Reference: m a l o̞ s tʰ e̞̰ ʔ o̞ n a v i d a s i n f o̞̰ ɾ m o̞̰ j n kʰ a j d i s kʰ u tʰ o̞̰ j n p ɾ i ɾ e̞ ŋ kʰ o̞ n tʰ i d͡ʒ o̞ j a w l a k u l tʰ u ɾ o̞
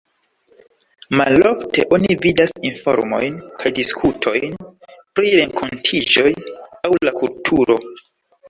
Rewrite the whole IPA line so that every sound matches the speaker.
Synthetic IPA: m a l o̞ f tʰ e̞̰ ʔ o̞ n i v i d a s i n f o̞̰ ɾ m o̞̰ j n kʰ a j d i s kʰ u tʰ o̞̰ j n p ɾ i ɾ e̞ ŋ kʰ o̞ n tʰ i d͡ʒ o̞ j a w l a k u l tʰ u ɾ o̞